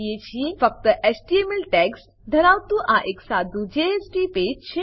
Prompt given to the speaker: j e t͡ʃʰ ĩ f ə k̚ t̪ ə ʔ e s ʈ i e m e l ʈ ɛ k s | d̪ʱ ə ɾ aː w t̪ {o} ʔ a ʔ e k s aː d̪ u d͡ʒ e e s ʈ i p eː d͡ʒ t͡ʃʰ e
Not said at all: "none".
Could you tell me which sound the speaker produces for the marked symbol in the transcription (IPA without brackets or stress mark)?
u